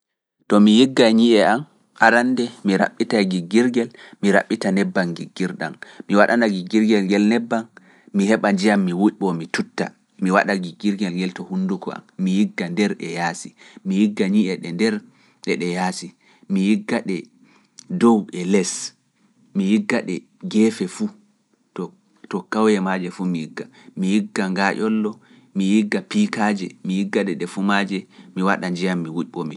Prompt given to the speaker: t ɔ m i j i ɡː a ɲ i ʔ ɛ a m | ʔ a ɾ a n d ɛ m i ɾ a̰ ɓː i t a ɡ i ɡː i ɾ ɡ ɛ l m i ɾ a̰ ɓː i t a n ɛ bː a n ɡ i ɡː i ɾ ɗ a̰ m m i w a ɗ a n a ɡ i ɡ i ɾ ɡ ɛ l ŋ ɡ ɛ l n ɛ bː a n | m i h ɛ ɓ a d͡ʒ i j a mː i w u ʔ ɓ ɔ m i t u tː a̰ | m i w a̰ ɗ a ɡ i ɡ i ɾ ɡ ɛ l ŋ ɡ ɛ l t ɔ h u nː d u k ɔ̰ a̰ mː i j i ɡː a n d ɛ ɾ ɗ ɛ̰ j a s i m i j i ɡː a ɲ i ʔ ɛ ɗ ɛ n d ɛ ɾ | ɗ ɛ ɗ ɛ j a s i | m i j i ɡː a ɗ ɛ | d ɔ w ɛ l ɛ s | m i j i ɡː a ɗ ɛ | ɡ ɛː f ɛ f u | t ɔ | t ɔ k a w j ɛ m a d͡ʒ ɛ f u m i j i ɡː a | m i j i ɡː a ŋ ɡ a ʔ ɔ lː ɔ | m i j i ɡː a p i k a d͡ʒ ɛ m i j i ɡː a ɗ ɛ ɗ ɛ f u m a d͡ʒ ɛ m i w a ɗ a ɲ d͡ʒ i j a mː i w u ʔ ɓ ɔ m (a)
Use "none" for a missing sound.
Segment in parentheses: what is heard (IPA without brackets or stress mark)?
i